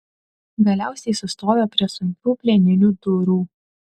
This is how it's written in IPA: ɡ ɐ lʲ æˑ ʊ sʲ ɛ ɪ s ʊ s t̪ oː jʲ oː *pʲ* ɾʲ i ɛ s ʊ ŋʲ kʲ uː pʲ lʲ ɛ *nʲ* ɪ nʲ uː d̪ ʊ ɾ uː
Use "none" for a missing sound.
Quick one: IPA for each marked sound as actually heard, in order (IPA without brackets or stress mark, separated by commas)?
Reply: pʲ, nʲ